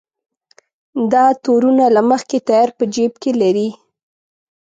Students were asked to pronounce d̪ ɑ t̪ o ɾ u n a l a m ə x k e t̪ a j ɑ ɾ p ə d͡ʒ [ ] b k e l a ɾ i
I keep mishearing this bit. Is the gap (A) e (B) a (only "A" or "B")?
A